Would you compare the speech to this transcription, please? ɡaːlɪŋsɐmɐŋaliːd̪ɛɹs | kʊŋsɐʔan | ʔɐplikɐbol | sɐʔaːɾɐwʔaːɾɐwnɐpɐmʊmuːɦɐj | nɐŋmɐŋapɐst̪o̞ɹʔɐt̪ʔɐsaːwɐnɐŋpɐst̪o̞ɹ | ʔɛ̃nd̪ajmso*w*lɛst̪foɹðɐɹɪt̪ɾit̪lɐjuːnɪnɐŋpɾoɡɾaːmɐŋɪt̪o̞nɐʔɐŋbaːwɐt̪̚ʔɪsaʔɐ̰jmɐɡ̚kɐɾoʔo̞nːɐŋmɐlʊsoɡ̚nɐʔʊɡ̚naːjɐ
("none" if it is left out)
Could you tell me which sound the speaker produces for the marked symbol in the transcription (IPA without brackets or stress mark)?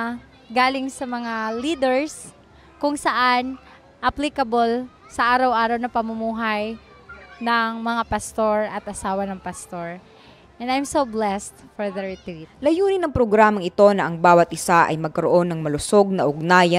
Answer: b